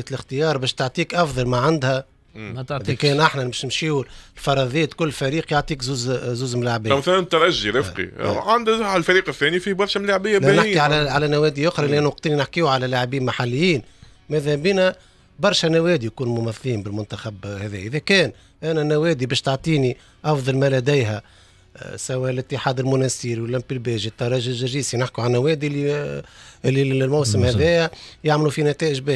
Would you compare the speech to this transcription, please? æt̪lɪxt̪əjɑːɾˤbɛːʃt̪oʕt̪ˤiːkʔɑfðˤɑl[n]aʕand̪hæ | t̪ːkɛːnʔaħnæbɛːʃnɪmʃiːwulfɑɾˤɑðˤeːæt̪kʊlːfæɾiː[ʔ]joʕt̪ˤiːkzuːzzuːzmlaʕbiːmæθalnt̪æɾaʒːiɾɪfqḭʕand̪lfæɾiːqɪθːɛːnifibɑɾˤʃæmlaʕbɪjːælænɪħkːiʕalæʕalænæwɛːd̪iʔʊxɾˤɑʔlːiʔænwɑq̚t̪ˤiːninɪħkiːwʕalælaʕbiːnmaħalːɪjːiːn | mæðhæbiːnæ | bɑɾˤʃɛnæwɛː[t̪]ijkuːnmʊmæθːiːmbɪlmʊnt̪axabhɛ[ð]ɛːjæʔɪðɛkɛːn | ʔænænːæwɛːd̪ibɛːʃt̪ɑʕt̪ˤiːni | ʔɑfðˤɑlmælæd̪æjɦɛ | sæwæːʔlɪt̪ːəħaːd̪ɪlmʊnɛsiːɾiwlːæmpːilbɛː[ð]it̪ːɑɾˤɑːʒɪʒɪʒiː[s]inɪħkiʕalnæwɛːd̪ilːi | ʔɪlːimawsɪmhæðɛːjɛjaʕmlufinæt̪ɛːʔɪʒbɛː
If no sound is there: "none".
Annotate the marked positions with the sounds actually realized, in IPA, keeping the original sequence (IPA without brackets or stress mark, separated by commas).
m, q, d̪, ð, ʒ, s